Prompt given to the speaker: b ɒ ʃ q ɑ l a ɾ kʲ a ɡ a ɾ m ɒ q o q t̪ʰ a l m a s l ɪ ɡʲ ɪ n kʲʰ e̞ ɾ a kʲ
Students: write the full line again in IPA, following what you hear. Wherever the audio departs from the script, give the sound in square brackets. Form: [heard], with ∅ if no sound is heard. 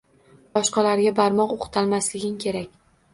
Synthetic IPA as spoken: b ɒ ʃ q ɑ l a ɾ [ɡʲ] a [b] a ɾ m ɒ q o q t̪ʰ a l m a s l ɪ ɡʲ ɪ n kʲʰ e̞ ɾ a kʲ